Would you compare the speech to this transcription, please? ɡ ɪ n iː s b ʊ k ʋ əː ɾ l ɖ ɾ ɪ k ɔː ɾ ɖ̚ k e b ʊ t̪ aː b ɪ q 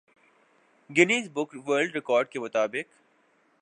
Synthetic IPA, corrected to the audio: ɡ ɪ n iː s b ʊ k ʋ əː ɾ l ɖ ɾ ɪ k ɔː ɾ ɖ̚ k e m ʊ t̪ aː b ɪ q

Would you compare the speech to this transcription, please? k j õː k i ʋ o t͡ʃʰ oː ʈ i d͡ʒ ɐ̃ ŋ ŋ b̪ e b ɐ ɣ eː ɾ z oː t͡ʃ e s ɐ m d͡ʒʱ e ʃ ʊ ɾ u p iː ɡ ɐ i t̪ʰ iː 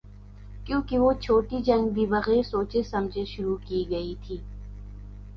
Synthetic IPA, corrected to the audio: k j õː k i ʋ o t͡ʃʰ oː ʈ i d͡ʒ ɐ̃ ŋ ɡ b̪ i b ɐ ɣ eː ɾ s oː t͡ʃ e s ɐ m d͡ʒʱ e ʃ ʊ ɾ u k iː ɡ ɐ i t̪ʰ iː

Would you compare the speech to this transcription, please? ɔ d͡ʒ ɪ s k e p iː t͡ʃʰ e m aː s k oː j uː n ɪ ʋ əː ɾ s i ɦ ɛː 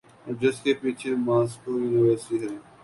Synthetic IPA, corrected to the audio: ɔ d͡ʒ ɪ s k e p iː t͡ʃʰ e m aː s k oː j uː n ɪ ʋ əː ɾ s i ɦ ɛː

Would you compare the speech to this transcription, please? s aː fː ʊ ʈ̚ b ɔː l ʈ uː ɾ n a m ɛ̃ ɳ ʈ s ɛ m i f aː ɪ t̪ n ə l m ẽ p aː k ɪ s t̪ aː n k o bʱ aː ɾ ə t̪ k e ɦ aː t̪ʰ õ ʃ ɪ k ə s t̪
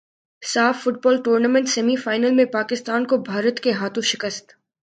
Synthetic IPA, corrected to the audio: s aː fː ʊ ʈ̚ b ɔː l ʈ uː ɾ n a m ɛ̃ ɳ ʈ s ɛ m i f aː ɪ n ə l m ẽ p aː k ɪ s t̪ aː n k o bʱ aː ɾ ə t̪ k e ɦ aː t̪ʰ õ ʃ ɪ k ə s t̪

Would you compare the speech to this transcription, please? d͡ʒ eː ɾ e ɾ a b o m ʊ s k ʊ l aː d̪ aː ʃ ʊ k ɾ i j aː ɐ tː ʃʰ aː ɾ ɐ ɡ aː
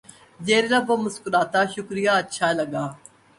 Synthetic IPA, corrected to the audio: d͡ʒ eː ɾ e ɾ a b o m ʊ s k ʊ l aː t̪ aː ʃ ʊ k ɾ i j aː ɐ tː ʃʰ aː l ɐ ɡ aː

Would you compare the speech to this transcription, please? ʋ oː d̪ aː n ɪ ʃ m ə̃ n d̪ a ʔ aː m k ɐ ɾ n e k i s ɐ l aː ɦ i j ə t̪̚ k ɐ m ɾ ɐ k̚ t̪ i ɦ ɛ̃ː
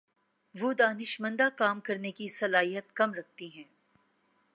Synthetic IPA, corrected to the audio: ʋ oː d̪ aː n ɪ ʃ m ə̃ n d̪ a k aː m k ɐ ɾ n e k i s ɐ l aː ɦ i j ə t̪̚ k ɐ m ɾ ɐ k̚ t̪ i ɦ ɛ̃ː

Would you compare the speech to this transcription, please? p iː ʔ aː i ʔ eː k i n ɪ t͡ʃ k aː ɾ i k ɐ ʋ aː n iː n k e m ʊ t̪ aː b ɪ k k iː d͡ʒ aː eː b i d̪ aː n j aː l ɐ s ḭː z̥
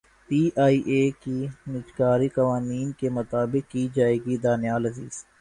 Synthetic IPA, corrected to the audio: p iː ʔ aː i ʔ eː k i n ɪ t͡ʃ k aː ɾ i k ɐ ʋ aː n iː n k e m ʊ t̪ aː b ɪ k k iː d͡ʒ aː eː ɡ i d̪ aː n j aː l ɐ z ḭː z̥

